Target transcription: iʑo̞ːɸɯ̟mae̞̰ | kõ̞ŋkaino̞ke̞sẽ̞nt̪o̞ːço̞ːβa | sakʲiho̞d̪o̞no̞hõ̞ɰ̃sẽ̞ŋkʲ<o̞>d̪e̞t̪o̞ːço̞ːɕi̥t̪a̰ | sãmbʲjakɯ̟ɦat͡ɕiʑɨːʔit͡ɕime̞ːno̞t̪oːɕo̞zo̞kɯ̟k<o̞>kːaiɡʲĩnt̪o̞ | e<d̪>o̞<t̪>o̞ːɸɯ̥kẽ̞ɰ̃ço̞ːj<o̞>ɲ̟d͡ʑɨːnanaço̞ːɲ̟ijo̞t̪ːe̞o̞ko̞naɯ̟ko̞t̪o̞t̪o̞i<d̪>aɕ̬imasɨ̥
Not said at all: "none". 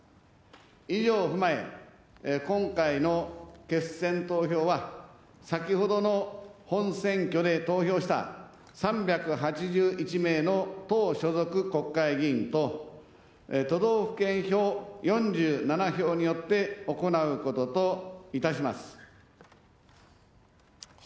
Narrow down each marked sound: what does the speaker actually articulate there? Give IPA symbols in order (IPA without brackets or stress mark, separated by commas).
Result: o̞, o̞, t̪, d̪, õ̞, t̪